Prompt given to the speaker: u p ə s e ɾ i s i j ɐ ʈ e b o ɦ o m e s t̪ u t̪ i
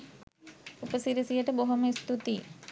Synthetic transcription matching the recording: u p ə s i ɾ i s i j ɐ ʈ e b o ɦ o m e s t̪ u t̪ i